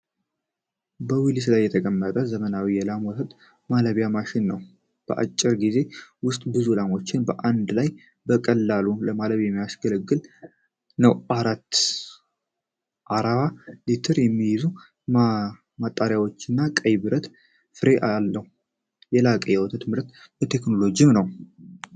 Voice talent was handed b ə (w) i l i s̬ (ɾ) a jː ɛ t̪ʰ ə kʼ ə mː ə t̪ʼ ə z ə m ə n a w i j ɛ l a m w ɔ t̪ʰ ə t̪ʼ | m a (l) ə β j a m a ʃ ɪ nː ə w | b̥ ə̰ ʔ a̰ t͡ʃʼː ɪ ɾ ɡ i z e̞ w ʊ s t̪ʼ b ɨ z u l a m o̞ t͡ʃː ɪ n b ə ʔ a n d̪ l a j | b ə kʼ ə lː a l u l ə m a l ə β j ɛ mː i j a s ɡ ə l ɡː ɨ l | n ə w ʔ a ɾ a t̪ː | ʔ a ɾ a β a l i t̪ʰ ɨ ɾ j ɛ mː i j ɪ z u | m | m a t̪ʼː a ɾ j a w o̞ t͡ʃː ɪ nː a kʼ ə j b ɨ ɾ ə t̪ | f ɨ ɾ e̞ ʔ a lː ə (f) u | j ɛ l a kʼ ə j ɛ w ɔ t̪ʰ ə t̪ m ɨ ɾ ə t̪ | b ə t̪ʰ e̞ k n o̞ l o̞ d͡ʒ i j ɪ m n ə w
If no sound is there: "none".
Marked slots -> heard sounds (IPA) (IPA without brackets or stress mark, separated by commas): w, l, l, h